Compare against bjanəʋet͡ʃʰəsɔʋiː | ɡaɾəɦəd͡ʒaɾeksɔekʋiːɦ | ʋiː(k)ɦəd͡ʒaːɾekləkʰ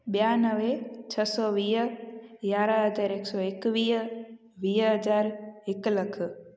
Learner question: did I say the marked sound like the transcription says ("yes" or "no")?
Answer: no